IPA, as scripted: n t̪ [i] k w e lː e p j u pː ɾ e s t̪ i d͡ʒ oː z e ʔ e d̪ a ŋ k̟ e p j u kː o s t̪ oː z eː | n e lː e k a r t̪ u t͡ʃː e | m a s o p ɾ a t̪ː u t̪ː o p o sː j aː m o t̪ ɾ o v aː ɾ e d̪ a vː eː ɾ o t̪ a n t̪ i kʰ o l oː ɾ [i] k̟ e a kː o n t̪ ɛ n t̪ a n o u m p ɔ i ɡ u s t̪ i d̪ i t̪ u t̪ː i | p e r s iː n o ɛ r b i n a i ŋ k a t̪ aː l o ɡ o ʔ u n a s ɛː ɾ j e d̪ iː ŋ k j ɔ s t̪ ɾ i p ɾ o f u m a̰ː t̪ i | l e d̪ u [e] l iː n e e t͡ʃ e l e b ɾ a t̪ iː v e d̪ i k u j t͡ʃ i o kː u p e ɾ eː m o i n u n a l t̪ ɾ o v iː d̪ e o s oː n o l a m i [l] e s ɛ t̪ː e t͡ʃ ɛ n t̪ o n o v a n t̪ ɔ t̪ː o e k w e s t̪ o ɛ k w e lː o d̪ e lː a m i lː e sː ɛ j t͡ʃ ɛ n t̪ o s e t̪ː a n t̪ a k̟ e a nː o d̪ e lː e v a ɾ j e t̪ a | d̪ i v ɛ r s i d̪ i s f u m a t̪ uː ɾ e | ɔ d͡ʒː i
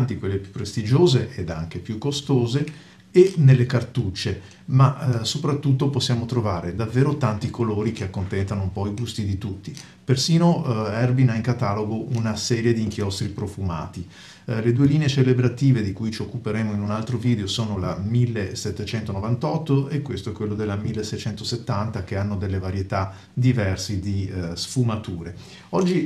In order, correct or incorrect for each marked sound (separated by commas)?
correct, correct, correct, incorrect